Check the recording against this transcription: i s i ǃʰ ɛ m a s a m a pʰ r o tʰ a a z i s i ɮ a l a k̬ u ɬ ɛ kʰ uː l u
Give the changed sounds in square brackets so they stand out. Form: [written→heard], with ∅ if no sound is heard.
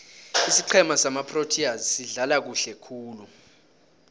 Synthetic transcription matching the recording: i s i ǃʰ ɛ m a s a m a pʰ r o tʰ [a→i] a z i s i ɮ a l a k̬ u ɬ ɛ kʰ uː l u